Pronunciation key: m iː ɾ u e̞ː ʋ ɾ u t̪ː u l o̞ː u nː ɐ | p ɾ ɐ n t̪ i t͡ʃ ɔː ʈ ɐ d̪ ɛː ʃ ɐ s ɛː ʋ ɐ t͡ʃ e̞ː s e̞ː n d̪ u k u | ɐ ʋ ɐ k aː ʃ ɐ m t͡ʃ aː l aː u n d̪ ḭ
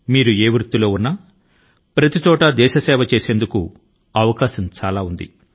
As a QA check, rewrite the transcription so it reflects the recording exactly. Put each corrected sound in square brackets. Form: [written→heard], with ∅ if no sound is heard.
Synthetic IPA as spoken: m iː ɾ u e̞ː ʋ ɾ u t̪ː u l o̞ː u nː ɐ | p ɾ ɐ [n→∅] t̪ i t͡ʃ ɔː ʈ ɐ d̪ ɛː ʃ ɐ s ɛː ʋ ɐ t͡ʃ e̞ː s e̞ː n d̪ u k u | ɐ ʋ ɐ k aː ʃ ɐ m t͡ʃ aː l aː u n d̪ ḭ